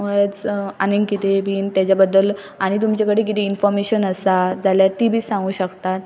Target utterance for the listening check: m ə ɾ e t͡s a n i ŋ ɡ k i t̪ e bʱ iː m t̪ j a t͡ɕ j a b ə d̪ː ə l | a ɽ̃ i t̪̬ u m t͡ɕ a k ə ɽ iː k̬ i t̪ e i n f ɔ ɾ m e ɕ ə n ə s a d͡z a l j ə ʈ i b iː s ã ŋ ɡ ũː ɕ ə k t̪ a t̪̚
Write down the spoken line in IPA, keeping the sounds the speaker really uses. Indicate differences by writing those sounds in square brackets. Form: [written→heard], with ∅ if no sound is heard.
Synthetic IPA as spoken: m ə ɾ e t͡s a n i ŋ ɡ k i t̪ e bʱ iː [m→n] t̪ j a t͡ɕ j a b ə d̪ː ə l | a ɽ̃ i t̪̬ u m t͡ɕ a k ə ɽ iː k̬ i t̪ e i n f ɔ ɾ m e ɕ ə n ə s a d͡z a l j [ə→a] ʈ i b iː s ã ŋ ɡ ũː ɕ ə k t̪ a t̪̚

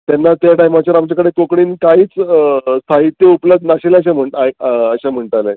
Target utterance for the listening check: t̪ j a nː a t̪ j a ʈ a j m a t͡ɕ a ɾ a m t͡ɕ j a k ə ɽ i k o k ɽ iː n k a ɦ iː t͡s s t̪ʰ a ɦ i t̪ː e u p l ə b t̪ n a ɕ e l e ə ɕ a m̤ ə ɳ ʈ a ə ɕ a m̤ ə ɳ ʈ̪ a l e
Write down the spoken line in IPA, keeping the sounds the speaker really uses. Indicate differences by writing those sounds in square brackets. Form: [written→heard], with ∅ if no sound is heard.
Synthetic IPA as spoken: t̪ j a nː a t̪ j a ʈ a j m a t͡ɕ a ɾ a m t͡ɕ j a k ə ɽ [i→e] k o k ɽ iː n k a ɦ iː t͡s s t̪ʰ a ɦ i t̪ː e u p l ə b [t̪→d̪] n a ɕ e l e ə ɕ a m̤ ə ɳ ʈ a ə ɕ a m̤ ə ɳ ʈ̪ a l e

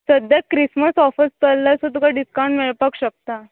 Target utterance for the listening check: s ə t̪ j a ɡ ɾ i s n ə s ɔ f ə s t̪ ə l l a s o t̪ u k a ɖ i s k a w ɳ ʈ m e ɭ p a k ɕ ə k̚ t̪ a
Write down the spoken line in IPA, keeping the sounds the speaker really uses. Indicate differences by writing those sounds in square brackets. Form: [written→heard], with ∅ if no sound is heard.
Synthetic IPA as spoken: s ə [t̪→d̪] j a [ɡ→k] ɾ i s [n→m] ə s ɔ f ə s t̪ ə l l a s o t̪ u k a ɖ i s k a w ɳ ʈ m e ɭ p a k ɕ ə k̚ t̪ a

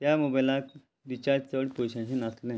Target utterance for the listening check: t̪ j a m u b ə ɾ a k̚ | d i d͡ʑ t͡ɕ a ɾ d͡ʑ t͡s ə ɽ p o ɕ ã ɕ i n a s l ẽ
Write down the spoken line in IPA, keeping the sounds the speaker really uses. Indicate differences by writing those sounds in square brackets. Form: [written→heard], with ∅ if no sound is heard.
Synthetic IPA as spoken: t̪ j a m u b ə [ɾ→l] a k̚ | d i [d͡ʑ→∅] t͡ɕ a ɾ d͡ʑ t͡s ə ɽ p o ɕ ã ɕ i n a s l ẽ

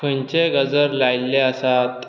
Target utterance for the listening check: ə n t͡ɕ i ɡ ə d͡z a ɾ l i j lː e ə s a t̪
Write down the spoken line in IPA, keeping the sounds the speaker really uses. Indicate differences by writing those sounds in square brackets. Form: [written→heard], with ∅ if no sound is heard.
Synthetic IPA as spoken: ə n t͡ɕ [i→e] ɡ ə d͡z [a→ə] ɾ l [i→a] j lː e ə s a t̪

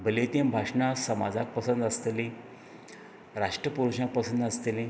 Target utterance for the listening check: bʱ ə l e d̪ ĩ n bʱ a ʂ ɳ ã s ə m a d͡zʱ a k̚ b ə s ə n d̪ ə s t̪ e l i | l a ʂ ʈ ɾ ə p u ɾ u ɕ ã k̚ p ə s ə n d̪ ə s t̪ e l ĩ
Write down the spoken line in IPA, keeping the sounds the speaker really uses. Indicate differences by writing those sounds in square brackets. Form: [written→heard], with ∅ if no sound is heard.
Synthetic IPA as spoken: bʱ ə l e [d̪→t̪] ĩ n bʱ a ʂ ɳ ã s ə m a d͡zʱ a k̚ [b→p] ə s ə n d̪ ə s t̪ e l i | [l→ɾ] a ʂ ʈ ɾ ə p u ɾ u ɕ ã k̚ p ə s ə n d̪ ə s t̪ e l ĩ

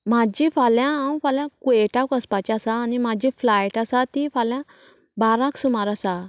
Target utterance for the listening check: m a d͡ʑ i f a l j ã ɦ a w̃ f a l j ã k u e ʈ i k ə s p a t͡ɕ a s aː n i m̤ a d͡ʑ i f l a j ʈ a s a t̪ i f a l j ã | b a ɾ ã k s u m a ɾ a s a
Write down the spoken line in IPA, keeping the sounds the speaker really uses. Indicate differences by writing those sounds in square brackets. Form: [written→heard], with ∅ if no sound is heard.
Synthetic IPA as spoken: m a d͡ʑ i f a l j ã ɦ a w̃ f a l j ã k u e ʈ [i→a] k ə s p a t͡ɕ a s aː n i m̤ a d͡ʑ i f l a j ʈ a s a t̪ i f a l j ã | b a ɾ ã k s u m a ɾ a s a

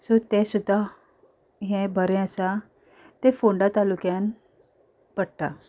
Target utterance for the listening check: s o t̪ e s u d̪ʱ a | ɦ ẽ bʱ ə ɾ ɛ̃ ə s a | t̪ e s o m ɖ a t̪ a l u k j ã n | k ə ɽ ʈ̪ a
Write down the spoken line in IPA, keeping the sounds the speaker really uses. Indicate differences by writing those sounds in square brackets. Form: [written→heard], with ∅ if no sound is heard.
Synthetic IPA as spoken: s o t̪ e s u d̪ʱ a | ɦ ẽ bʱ ə ɾ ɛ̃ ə s a | t̪ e [s→f] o [m→ɳ] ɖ a t̪ a l u k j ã n | [k→p] ə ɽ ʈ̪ a

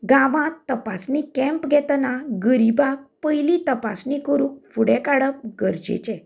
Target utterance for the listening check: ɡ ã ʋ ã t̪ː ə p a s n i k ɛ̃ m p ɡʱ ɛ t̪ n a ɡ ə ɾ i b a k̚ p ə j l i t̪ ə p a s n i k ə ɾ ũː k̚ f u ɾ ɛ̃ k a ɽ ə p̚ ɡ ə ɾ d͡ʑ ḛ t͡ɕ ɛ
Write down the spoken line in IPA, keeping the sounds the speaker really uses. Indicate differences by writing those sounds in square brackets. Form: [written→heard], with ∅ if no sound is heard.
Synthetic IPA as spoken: ɡ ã ʋ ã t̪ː ə p a s n i k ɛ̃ m p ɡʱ ɛ t̪ n a ɡ ə ɾ i b a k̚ p ə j l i t̪ ə p a s n i k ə ɾ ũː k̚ f u [ɾ→ɽ] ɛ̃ k a ɽ ə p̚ ɡ ə ɾ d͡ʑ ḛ t͡ɕ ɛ

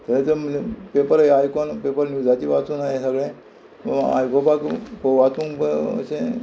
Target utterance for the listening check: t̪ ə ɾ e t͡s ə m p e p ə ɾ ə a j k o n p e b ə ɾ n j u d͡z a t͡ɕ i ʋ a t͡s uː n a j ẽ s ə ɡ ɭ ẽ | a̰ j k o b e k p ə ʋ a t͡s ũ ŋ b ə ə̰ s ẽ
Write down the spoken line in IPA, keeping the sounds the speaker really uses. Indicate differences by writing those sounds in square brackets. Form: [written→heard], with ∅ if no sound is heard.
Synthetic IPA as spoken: t̪ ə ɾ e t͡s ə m p e p ə ɾ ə a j k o n p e [b→p] ə ɾ n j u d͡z a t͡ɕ i ʋ a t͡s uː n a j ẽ s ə ɡ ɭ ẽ | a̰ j k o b [e→a] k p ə ʋ a t͡s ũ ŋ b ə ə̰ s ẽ

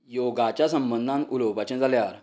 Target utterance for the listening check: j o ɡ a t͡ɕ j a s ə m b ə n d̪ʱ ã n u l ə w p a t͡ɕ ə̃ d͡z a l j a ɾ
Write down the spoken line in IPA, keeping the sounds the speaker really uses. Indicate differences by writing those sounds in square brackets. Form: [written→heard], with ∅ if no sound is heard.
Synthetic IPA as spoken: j o ɡ a t͡ɕ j a s ə m b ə n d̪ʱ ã n u l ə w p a t͡ɕ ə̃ d͡z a l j a ɾ

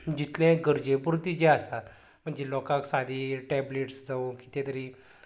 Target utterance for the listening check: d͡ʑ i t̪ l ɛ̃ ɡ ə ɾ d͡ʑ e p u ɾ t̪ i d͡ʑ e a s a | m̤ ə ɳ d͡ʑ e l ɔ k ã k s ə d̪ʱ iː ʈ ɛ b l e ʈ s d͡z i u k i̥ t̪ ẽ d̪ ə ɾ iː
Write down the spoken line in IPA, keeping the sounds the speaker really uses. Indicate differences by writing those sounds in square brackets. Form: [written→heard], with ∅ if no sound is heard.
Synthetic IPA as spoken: d͡ʑ i t̪ l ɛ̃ ɡ ə ɾ d͡ʑ e p u ɾ t̪ i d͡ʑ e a s a | m̤ ə ɳ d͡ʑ e l ɔ k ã k s [ə→a] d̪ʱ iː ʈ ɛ b l e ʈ s d͡z [i→a] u k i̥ t̪ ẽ [d̪→t̪] ə ɾ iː

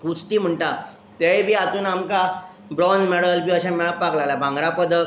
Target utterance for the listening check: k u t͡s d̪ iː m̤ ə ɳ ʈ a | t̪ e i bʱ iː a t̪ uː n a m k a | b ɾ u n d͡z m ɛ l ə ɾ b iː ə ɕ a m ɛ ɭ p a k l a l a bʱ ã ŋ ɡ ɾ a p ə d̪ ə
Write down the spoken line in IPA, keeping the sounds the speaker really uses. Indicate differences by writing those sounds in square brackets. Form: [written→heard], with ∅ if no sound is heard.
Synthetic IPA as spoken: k u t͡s [d̪→t̪] iː m̤ ə ɳ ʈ a | t̪ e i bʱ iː a t̪ uː n a m k a | b ɾ [u→ɔ] n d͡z m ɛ [l→ɽ] ə [ɾ→l] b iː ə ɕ a m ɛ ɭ p a k l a l a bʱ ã ŋ ɡ ɾ a p ə d̪ ə

